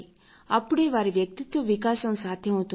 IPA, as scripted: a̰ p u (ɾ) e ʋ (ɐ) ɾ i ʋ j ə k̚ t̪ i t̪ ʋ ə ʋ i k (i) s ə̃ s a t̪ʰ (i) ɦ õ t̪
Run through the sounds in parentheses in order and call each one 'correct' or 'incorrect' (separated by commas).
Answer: incorrect, incorrect, incorrect, incorrect